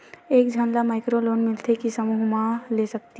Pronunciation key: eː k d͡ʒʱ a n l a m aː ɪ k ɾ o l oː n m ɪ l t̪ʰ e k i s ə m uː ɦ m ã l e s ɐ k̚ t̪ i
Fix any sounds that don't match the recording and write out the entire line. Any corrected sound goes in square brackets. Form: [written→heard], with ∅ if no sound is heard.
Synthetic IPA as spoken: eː k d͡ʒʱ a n l a m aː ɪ k ɾ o l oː n m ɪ l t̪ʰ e k i s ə m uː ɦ m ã l e s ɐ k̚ t̪ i

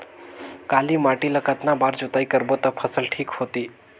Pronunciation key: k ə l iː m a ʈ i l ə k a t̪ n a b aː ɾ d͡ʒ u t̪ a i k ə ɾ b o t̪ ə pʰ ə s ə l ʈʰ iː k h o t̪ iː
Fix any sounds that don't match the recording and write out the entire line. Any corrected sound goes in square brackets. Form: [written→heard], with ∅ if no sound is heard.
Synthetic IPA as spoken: k [ə→a] l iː m a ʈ i l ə k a t̪ n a b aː ɾ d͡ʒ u t̪ a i k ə ɾ b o t̪ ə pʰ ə s ə l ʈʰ iː k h o t̪ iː

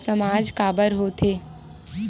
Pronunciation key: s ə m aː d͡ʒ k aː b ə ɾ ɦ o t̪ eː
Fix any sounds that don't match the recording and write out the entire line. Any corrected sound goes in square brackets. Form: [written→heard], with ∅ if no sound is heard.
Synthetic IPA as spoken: s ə m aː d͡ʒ k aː b ə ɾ ɦ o [t̪→t̪ʰ] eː

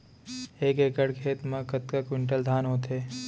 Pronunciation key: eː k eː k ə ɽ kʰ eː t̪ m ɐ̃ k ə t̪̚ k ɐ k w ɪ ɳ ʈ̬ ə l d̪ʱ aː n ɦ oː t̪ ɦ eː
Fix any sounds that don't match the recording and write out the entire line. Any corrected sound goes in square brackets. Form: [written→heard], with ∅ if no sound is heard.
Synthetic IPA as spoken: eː k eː k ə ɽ kʰ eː t̪ m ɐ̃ k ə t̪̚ k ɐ k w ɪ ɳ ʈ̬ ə l d̪ʱ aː n ɦ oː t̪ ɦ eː

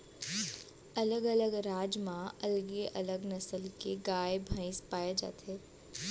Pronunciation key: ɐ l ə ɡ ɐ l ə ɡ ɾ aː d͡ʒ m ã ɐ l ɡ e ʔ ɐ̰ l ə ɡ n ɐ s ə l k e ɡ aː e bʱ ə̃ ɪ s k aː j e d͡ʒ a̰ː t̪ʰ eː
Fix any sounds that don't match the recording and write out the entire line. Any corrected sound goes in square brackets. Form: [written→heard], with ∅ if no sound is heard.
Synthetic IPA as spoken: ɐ l ə ɡ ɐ l ə ɡ ɾ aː d͡ʒ m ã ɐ l ɡ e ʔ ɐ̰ l ə ɡ n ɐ s ə l k e ɡ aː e bʱ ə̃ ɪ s [k→p] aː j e d͡ʒ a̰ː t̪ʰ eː

